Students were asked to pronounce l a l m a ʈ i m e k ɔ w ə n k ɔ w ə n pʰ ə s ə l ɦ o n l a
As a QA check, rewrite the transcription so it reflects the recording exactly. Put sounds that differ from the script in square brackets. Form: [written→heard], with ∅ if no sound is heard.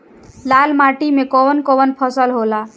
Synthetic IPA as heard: l a l m a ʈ i m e k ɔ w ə n k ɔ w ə n pʰ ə s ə l ɦ o [n→∅] l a